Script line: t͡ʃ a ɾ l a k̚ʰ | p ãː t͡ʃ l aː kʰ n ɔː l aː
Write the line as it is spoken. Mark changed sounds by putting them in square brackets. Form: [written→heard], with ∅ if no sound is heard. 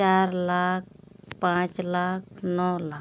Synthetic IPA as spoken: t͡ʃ a ɾ l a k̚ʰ | p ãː t͡ʃ l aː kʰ n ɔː l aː